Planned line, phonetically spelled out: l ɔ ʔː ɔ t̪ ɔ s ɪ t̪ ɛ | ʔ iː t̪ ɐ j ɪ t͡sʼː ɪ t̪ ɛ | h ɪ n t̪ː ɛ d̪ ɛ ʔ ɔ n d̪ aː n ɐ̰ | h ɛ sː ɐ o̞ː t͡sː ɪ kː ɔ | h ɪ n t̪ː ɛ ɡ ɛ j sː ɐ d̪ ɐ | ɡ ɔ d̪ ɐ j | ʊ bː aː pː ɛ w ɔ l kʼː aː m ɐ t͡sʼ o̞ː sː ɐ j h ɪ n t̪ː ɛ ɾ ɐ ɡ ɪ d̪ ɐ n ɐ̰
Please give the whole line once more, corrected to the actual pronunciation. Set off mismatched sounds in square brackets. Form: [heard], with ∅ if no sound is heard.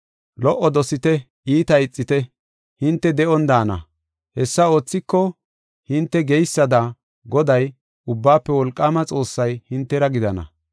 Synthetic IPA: l ɔ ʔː ɔ [d̪] ɔ s ɪ t̪ ɛ | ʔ iː t̪ ɐ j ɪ t͡sʼː ɪ t̪ ɛ | h ɪ n t̪ː ɛ d̪ ɛ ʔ ɔ n d̪ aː n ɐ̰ | h ɛ sː ɐ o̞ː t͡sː ɪ kː ɔ | h ɪ n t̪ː ɛ ɡ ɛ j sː ɐ d̪ ɐ | ɡ ɔ d̪ ɐ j | ʊ bː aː pː ɛ w ɔ l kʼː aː m ɐ t͡sʼ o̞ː sː ɐ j h ɪ n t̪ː ɛ ɾ ɐ ɡ ɪ d̪ ɐ n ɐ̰